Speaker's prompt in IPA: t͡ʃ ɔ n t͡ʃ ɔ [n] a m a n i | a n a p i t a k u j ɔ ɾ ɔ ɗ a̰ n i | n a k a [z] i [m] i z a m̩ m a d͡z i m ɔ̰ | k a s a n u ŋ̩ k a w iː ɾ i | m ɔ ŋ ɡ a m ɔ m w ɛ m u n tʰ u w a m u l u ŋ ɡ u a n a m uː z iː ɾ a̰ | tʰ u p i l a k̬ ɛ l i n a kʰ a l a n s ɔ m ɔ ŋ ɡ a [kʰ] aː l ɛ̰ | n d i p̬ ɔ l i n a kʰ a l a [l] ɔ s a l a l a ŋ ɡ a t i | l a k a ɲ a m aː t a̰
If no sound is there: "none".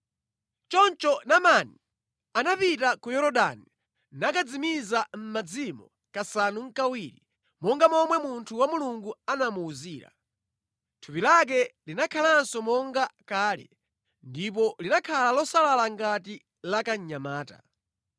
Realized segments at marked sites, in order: n, d͡z, m, k, l

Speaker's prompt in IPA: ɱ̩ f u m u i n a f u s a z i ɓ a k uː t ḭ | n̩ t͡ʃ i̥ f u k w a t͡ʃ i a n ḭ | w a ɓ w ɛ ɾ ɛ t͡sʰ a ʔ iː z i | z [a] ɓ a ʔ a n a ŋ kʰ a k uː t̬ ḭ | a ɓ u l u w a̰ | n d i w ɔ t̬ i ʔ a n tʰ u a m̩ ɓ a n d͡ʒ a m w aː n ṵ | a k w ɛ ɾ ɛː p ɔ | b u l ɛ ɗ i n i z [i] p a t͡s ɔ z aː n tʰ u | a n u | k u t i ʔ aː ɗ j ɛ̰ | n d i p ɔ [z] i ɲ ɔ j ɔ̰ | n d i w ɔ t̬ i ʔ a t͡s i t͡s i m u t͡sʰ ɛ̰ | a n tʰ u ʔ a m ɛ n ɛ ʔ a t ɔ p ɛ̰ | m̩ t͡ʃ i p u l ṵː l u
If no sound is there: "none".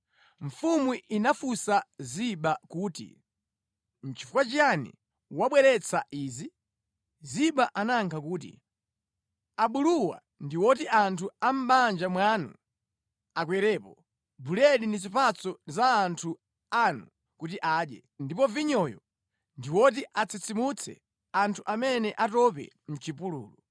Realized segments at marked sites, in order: i, i, v

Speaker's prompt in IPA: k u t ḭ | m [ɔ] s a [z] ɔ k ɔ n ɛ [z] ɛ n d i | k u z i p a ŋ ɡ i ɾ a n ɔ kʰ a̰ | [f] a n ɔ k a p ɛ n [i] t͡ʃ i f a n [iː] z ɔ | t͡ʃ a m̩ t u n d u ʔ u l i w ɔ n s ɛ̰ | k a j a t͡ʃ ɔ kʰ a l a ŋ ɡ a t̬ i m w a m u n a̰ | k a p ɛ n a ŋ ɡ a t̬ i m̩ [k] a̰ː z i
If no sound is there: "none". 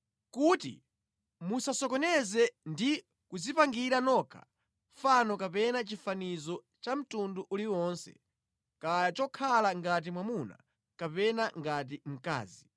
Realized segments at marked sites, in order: u, s, z, f, a, i, k

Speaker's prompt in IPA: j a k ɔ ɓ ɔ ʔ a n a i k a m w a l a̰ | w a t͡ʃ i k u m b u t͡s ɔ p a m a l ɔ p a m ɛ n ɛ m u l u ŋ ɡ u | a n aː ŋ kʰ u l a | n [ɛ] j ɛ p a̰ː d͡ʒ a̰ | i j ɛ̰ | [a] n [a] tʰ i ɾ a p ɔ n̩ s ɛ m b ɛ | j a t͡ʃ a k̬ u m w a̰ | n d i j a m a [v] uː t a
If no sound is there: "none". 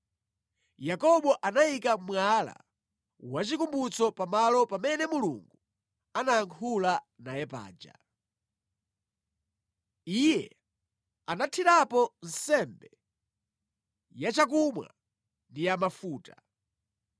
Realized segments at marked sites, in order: a, a, a, f

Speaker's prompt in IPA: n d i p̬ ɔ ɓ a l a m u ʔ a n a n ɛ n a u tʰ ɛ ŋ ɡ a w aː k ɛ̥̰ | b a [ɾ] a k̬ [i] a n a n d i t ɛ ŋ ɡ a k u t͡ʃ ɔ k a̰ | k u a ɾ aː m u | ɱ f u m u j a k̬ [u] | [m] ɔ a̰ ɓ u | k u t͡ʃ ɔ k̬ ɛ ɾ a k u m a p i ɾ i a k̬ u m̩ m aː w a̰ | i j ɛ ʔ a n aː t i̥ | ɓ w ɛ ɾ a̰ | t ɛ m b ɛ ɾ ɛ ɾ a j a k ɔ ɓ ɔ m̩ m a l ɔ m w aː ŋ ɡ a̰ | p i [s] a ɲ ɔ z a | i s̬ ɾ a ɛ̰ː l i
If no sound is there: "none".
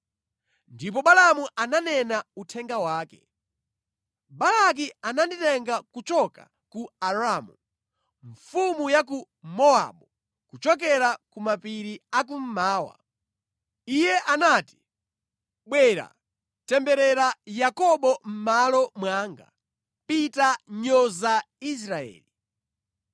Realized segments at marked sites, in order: l, i, u, m, t

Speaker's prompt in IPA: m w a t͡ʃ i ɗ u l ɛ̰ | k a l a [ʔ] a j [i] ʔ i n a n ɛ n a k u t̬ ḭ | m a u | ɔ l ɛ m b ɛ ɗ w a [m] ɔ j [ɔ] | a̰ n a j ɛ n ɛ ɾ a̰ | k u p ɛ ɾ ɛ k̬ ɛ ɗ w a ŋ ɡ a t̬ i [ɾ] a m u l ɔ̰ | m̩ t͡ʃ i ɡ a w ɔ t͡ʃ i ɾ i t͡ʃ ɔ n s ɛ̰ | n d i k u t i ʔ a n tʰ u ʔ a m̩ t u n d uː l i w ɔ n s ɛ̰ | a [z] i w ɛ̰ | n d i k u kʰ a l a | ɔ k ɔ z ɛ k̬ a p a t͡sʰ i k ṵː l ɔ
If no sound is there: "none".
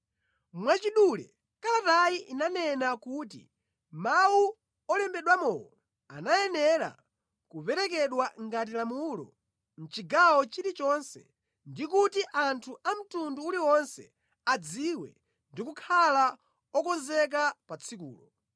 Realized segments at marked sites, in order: t, i, m, ɔ, l, d͡z

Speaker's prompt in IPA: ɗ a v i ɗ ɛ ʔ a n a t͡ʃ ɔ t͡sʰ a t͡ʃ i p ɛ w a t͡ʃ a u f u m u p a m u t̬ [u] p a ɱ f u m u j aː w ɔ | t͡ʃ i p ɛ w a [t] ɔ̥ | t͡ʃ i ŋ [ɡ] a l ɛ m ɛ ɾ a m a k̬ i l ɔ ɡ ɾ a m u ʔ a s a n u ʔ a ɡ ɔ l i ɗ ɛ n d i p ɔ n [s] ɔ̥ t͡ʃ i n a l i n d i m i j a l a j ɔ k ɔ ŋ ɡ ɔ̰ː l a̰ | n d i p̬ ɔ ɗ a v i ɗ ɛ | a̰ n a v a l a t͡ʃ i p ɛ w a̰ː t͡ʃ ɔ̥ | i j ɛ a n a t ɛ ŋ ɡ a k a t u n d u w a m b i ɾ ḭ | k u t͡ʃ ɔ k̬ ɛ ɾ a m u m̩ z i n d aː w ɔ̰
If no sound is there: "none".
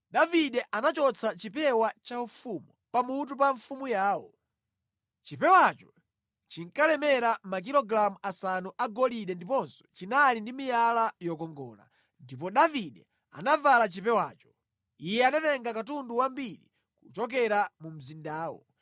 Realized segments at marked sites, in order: u, t͡ʃ, k, s

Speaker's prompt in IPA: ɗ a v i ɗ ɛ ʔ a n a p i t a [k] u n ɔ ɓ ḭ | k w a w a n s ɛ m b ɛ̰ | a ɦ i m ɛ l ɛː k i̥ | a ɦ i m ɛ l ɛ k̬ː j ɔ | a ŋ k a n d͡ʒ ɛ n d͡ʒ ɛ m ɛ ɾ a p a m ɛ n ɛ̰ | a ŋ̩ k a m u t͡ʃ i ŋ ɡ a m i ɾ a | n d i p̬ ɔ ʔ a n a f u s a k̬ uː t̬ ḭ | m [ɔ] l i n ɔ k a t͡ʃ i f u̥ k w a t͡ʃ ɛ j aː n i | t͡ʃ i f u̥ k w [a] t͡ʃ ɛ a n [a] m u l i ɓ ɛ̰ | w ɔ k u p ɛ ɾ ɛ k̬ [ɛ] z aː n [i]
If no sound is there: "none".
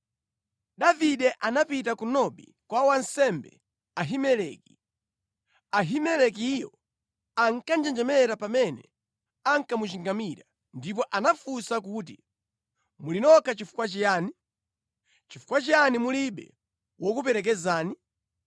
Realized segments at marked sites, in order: k, u, a, i, ɛ, i

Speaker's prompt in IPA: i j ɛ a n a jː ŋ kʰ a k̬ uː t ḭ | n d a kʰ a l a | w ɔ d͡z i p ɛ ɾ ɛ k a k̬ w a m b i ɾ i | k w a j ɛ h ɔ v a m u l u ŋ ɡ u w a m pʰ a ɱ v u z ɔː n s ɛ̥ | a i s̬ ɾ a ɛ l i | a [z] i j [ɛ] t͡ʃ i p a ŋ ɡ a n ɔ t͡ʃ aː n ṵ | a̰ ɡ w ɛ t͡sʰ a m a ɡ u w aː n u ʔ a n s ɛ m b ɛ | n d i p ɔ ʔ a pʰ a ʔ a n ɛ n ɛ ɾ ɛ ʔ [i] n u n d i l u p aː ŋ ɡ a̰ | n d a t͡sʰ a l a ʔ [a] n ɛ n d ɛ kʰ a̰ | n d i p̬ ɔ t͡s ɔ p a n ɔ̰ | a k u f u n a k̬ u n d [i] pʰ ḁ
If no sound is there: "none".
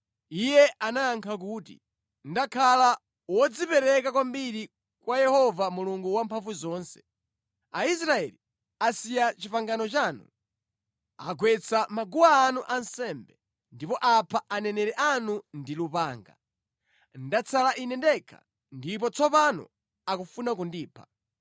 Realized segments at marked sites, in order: s, a, a, i, iː

